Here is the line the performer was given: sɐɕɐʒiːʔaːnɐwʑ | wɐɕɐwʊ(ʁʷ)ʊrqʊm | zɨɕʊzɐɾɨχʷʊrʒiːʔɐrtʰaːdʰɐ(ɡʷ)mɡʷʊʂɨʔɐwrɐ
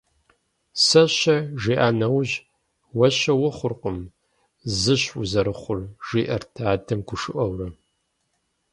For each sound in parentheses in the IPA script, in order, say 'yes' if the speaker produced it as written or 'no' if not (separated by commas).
no, no